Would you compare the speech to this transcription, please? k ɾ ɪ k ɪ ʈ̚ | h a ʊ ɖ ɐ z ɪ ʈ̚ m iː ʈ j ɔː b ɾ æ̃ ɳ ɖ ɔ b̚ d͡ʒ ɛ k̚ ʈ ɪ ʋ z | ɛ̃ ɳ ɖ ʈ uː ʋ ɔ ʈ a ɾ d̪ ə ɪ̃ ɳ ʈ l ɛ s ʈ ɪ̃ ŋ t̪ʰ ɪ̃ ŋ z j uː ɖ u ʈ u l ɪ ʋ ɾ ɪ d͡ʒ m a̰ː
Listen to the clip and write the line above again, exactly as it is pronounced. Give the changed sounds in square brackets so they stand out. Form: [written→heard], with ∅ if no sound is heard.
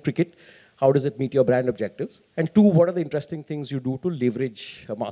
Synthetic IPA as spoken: k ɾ ɪ k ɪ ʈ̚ | h a ʊ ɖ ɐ z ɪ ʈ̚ m iː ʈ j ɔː b ɾ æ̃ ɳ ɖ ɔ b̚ d͡ʒ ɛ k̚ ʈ ɪ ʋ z | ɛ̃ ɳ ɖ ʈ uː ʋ ɔ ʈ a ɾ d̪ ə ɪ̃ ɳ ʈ [l→ɾ] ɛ s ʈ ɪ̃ ŋ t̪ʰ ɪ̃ ŋ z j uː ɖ u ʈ u l ɪ ʋ ɾ ɪ d͡ʒ m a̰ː